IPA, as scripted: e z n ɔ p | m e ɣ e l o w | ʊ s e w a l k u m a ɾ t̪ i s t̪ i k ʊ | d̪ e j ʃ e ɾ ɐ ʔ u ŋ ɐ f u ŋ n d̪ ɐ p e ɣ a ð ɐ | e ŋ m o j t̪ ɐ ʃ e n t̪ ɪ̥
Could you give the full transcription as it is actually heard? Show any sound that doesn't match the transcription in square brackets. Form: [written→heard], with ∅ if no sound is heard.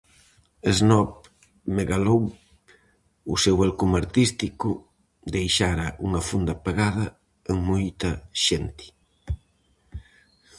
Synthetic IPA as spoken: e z n ɔ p | m e ɣ [e→a] l o w | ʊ s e w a l k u m a ɾ t̪ i s t̪ i k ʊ | d̪ e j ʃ [e→a] ɾ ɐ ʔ u ŋ ɐ f u [ŋ→∅] n d̪ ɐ p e ɣ a ð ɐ | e ŋ m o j t̪ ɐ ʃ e n t̪ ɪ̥